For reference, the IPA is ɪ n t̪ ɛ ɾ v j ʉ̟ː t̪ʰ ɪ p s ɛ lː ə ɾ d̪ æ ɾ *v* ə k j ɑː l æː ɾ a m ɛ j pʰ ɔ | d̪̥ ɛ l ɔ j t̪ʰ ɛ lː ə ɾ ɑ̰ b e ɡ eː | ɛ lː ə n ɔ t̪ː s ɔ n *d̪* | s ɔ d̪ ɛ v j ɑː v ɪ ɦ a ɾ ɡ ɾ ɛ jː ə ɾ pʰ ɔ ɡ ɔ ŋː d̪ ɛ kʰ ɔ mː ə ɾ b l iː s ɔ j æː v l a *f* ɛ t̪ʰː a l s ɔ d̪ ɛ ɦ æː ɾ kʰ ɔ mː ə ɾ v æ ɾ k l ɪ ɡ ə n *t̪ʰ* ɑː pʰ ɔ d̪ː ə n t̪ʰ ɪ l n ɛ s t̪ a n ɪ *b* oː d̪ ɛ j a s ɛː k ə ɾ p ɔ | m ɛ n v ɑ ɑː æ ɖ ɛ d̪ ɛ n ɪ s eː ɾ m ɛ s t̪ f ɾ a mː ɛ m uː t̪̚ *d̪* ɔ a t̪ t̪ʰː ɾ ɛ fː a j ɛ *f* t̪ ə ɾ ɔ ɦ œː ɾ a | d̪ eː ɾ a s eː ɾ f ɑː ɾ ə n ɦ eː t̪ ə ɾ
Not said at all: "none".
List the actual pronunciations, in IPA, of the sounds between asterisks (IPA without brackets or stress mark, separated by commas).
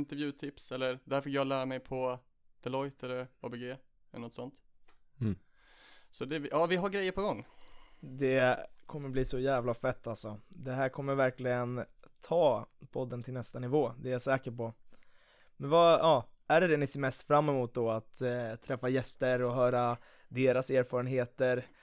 f, t̪, f, t̪ʰ, v, d̪, s